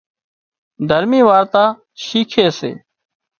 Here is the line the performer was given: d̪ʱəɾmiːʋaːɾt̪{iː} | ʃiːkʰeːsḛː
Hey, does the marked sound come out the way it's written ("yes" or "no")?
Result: no